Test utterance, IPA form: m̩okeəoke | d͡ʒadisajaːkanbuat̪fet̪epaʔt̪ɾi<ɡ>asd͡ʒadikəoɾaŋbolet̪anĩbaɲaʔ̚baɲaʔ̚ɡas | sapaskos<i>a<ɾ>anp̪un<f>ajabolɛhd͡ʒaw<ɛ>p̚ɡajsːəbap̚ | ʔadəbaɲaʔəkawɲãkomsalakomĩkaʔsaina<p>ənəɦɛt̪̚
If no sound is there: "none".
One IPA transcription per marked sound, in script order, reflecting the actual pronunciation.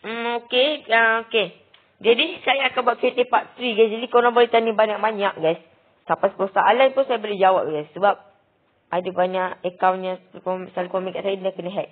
ɡ, a, l, s, a, k

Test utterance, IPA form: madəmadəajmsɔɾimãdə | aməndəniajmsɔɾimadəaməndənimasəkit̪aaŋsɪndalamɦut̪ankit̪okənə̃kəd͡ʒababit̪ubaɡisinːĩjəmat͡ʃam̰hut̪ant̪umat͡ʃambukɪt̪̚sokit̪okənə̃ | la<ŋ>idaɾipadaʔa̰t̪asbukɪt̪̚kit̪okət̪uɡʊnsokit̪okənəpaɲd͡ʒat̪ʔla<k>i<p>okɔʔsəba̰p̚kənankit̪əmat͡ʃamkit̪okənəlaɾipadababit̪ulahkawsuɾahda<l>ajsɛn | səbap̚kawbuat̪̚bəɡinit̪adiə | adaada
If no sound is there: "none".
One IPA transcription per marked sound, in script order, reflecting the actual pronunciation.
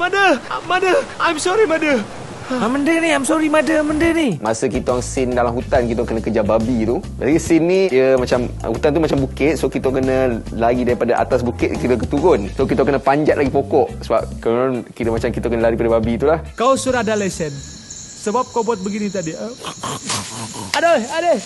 ɡ, ɡ, p, l

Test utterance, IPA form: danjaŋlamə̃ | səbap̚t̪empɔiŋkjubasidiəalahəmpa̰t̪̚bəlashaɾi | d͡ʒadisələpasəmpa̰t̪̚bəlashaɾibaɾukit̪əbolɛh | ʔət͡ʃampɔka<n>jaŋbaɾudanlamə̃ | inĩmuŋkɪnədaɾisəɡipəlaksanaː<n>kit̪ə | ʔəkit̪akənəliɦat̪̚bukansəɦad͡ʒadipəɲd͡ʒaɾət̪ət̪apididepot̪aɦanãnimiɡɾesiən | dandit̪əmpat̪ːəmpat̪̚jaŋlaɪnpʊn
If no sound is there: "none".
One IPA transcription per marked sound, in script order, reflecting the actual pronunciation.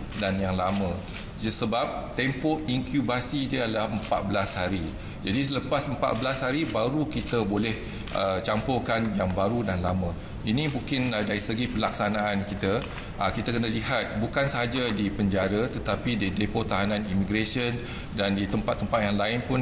n, n

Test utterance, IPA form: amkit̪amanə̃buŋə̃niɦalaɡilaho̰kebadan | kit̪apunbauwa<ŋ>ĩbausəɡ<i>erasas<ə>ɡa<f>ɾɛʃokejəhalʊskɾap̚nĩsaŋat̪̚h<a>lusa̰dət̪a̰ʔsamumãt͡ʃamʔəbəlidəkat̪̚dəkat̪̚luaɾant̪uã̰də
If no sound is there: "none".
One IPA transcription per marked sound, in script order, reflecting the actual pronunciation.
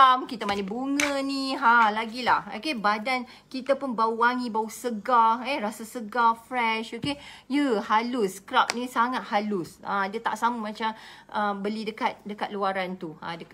ŋ, a, ə, f, a

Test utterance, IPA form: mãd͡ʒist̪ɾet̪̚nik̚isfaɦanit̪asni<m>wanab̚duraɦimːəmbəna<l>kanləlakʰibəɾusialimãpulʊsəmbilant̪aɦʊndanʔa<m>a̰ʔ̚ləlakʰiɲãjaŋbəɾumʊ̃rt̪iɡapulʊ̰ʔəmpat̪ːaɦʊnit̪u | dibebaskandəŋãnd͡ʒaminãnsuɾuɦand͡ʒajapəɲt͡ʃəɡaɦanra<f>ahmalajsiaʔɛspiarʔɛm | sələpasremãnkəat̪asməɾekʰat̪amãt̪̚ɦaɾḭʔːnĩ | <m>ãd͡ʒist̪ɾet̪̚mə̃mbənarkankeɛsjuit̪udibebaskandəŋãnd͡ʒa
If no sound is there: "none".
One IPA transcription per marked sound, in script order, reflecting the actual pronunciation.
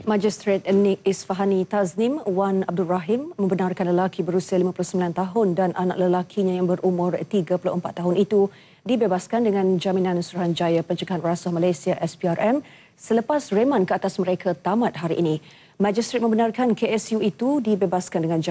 m, r, n, s, m

